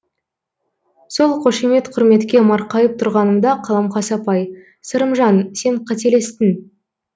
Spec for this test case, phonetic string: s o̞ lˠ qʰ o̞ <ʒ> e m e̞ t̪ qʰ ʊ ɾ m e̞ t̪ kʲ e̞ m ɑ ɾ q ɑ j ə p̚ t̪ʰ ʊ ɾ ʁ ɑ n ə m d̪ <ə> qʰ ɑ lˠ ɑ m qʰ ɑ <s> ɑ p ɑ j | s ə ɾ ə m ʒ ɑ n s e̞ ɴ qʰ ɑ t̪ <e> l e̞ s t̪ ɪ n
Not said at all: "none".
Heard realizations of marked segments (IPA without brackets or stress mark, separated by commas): ʃ, ɑ, s, e